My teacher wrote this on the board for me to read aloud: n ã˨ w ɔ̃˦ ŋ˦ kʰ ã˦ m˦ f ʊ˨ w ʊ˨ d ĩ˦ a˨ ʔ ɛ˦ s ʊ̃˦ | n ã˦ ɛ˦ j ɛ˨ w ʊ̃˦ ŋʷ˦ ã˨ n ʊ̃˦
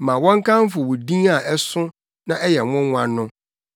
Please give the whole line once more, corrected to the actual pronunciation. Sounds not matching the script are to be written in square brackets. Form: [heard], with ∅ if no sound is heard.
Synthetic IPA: [m] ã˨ w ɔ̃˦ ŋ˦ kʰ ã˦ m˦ f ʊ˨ w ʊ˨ d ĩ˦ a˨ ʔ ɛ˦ s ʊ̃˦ | n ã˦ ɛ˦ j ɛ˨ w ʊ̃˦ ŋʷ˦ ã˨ n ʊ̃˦